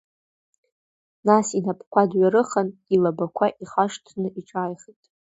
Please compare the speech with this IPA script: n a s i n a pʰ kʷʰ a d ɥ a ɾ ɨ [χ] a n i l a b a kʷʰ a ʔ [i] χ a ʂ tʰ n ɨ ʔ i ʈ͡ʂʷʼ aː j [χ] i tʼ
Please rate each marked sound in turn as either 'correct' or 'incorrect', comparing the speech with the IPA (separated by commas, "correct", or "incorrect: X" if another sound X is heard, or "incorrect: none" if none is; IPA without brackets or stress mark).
correct, correct, correct